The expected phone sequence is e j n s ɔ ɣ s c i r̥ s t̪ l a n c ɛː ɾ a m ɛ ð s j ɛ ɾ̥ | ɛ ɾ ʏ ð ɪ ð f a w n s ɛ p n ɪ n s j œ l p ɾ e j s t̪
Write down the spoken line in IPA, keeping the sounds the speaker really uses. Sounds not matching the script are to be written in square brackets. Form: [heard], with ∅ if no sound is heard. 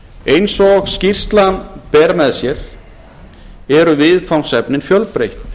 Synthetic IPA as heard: e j n s ɔ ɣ s c i r̥ s t̪ l a n [p] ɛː ɾ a m ɛ ð s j ɛ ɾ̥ | ɛ ɾ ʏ [v] ɪ ð f a w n s ɛ p n ɪ n [f] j œ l p ɾ e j [h] t̪